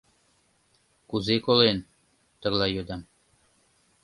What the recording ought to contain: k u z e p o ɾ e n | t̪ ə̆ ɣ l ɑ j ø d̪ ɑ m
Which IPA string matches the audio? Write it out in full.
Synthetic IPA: k u z e k o l e n | t̪ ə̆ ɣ l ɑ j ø d̪ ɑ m

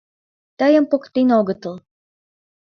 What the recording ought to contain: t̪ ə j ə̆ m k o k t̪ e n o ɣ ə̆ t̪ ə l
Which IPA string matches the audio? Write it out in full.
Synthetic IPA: t̪ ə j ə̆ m p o k t̪ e n o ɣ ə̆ t̪ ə l

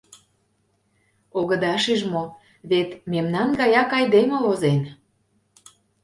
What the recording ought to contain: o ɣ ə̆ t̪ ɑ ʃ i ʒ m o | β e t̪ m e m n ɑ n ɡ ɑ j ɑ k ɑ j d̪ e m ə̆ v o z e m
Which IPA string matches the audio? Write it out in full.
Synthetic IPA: o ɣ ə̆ d̪ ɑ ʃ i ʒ m o | β e t̪ m e m n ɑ n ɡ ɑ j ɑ k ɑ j d̪ e m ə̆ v o z e n

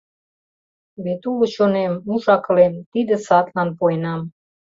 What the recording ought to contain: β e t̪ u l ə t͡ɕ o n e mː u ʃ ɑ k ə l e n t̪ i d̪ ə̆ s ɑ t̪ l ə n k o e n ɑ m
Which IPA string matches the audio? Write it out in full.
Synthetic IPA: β e t̪ u l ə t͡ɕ o n e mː u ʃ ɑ k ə l e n t̪ i d̪ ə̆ s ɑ t̪ l ɑ n p o e n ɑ m

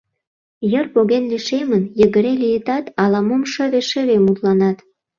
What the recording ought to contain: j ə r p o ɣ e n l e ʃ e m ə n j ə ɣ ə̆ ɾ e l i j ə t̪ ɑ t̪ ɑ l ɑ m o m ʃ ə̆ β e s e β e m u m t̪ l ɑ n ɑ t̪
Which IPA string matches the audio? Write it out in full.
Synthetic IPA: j ə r p o ɣ e n l i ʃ e m ə n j ə ɣ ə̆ ɾ e l i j ə t̪ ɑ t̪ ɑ l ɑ m o m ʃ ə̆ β e ʃ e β e m u t̪ l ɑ n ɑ t̪

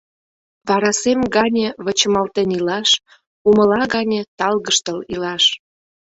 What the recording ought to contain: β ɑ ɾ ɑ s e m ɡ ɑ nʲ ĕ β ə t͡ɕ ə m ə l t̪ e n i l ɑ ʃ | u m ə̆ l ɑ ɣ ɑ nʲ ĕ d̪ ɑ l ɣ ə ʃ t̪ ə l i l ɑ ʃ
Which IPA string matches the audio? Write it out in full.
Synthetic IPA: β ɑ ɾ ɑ s e m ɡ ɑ nʲ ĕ β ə t͡ɕ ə m ɑ l t̪ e n i l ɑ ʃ | u m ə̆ l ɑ ɣ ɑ nʲ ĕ t̪ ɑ l ɣ ə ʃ t̪ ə l i l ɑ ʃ

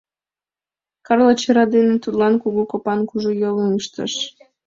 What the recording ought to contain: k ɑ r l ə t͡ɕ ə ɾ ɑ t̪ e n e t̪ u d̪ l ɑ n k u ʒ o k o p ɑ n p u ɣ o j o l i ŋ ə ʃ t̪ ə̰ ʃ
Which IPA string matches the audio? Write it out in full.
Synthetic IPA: k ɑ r l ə t͡ɕ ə ɾ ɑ d̪ e n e t̪ u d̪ l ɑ n k u ɣ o k o p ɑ n k u ʒ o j o l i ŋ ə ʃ t̪ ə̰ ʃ

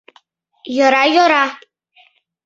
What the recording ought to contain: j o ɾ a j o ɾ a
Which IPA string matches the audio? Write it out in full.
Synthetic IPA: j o ɾ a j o ɾ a

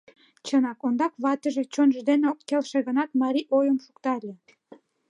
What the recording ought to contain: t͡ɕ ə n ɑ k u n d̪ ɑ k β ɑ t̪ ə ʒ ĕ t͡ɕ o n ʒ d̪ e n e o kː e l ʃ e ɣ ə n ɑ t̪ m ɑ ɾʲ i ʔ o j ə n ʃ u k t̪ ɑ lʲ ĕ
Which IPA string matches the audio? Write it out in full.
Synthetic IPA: t͡ɕ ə n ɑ k o n d̪ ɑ k β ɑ t̪ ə ʒ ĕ t͡ɕ o n ʒ d̪ e n e o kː e l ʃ e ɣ ə n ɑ t̪ m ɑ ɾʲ i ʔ o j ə m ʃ u k t̪ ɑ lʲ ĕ

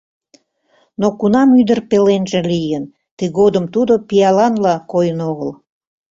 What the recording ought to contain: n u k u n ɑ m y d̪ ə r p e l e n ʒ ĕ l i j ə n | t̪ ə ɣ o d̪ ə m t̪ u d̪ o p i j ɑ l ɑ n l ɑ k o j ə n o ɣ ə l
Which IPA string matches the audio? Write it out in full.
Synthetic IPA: n o k u n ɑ m y d̪ ə r p e l e n ʒ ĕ l i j ə n | t̪ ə ɣ o d̪ ə m t̪ u d̪ o p i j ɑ l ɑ n l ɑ k o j ə n o ɣ ə l

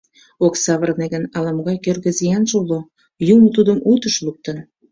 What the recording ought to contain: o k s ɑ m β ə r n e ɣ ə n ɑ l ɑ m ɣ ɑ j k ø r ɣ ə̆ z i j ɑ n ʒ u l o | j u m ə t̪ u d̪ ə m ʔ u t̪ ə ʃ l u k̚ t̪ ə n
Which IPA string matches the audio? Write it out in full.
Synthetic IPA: o k s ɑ β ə r n e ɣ ə n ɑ l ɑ m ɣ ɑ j k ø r ɣ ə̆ z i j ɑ n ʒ u l o | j u m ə t̪ u d̪ ə m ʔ u t̪ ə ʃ l u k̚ t̪ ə n

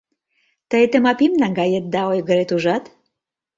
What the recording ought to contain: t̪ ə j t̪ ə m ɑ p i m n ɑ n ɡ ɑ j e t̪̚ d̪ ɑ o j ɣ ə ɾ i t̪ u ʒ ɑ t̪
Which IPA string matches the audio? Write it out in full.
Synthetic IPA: t̪ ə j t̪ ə m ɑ p i m n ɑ ŋ ɡ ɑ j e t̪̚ d̪ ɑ o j ɣ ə ɾ e t̪ u ʒ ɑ t̪

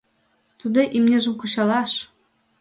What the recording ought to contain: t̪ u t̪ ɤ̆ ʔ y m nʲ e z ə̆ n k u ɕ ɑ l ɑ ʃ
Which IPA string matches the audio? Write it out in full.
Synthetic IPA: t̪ u d̪ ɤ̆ ʔ i m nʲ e ʒ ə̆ m k u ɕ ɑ l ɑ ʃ

